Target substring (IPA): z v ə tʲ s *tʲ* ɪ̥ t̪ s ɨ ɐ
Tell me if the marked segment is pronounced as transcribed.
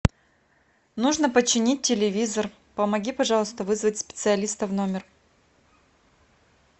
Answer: no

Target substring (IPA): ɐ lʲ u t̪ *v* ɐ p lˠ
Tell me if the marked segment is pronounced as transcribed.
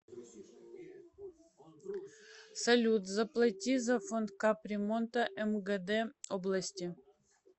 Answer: no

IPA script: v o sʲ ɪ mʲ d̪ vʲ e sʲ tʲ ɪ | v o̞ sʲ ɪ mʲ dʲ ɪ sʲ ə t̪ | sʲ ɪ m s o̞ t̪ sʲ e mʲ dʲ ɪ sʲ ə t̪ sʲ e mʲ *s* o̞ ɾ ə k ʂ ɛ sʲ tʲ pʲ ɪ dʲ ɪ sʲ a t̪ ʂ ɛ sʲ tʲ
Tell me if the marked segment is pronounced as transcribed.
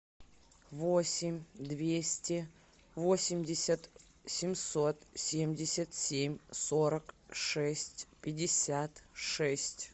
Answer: yes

